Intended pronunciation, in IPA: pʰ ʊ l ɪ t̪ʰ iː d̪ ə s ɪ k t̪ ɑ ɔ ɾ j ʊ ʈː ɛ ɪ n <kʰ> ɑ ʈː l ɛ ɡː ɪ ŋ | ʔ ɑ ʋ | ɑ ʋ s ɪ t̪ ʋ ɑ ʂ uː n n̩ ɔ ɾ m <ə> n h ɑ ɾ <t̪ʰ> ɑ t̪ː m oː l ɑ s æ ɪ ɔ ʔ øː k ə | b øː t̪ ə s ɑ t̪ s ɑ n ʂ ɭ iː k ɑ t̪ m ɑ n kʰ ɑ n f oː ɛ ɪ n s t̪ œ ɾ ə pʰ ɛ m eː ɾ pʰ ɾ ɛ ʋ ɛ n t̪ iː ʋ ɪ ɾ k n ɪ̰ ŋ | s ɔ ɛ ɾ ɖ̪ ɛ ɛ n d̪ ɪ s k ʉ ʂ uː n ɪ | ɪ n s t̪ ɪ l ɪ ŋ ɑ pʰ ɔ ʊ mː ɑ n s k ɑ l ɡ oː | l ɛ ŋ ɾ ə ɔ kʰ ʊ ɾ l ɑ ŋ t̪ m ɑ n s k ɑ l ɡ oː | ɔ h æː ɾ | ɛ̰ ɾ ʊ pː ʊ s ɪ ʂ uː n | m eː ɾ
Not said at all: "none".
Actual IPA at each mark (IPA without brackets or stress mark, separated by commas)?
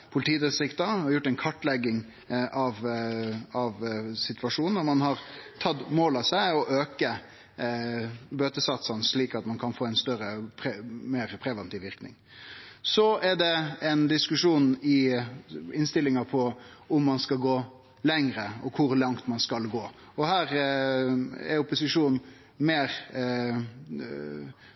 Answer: kʰ, ɑ, t̪ʰ